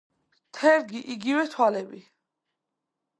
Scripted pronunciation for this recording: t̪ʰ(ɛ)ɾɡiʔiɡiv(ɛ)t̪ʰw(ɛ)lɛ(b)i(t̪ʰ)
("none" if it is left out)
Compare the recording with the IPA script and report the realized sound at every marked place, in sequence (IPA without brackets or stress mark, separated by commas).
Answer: ɛ, ɛ, a, b, none